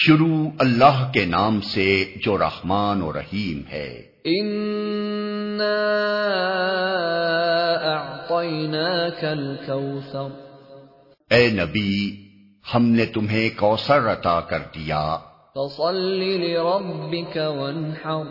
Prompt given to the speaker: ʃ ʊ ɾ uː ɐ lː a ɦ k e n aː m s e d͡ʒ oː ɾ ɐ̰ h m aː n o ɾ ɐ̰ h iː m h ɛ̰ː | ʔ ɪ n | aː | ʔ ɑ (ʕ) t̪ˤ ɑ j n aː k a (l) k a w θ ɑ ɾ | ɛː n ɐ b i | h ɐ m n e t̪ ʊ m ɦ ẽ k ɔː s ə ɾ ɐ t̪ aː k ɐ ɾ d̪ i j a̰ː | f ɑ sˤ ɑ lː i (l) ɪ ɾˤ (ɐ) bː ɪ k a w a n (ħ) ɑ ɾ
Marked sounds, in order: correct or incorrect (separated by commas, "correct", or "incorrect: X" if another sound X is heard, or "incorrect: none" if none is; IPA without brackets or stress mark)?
correct, correct, correct, incorrect: ɑ, correct